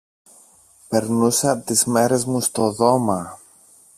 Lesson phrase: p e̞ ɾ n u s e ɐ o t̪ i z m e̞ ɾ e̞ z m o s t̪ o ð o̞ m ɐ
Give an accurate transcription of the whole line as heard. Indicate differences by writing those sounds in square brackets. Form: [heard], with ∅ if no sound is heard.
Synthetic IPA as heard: p e̞ ɾ n u s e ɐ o t̪ i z m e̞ ɾ e̞ z m [u] s t̪ o ð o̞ m ɐ